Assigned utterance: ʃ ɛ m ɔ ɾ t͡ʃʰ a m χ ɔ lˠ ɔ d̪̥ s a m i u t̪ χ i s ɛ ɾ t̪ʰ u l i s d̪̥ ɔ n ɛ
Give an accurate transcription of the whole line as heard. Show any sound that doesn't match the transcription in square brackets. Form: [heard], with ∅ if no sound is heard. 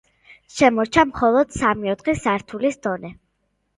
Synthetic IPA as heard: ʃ ɛ m ɔ ɾ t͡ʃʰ a m χ ɔ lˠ ɔ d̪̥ s a m i [ɔ] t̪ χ i s [a] ɾ t̪ʰ u l i s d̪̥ ɔ n ɛ